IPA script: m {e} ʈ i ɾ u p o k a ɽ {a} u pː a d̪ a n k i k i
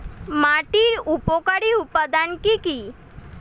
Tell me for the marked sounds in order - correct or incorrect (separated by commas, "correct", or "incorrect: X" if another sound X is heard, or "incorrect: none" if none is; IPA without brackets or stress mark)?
incorrect: a, incorrect: i